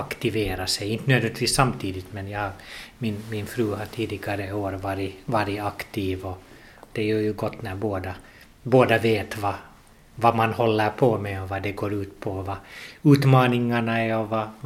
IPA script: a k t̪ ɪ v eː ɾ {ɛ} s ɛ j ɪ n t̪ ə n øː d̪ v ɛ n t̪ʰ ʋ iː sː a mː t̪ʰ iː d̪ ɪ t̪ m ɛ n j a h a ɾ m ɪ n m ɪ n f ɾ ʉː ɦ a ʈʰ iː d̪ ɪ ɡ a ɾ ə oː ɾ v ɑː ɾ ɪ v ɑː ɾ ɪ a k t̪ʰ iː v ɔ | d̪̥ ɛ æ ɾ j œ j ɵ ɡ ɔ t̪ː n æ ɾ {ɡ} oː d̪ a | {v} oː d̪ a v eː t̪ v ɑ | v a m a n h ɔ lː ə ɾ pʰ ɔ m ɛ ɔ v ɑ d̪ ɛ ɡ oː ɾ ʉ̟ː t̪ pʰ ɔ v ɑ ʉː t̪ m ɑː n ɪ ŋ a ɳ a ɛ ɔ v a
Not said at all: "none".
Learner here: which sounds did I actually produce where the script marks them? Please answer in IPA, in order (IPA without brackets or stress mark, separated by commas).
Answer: a, b, b